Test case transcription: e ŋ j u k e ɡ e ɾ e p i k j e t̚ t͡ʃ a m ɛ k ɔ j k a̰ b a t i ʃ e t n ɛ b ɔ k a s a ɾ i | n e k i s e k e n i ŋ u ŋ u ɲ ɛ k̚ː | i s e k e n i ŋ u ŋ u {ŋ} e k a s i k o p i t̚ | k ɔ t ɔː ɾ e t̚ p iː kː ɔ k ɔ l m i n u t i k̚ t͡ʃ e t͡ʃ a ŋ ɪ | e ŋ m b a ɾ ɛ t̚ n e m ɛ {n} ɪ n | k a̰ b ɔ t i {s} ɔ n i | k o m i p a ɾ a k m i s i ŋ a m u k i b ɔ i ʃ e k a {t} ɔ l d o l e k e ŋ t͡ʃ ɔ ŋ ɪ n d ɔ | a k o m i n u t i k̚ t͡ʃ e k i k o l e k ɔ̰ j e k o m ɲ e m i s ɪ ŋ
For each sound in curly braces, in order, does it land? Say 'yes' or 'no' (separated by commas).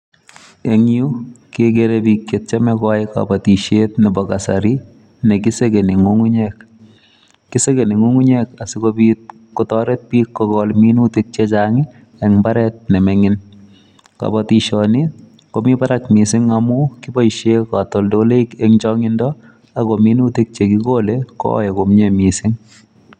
no, no, no, yes